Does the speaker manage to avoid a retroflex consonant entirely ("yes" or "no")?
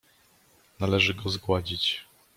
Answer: no